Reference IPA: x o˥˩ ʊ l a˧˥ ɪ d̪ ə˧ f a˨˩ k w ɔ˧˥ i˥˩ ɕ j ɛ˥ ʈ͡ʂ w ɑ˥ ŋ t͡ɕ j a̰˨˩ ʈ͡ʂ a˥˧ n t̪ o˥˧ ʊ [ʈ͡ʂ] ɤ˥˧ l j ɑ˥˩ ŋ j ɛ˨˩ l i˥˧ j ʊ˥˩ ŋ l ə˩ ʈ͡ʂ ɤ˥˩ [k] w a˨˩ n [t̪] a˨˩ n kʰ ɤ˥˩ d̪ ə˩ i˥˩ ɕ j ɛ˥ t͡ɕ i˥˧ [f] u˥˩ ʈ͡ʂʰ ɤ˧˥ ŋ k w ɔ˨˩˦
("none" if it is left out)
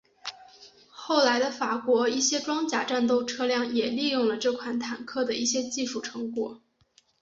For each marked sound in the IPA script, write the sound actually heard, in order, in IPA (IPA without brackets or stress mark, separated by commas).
ʈ͡ʂʰ, kʰ, t̪ʰ, ʂ